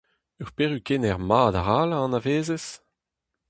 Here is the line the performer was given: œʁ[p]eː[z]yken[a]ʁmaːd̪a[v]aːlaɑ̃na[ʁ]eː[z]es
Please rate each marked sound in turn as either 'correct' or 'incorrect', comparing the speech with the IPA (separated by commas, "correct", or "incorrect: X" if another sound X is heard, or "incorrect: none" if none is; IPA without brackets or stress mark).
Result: correct, incorrect: ʁ, incorrect: ɛ, incorrect: ʁ, incorrect: v, correct